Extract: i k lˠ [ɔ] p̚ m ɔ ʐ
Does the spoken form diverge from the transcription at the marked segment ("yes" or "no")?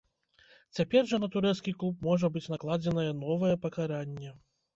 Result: yes